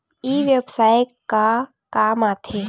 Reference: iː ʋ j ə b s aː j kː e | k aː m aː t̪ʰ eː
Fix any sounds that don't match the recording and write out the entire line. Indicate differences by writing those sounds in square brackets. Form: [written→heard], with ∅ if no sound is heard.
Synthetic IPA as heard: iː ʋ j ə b s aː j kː [e→a] | k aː m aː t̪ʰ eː